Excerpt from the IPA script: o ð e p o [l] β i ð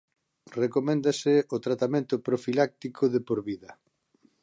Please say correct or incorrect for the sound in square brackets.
incorrect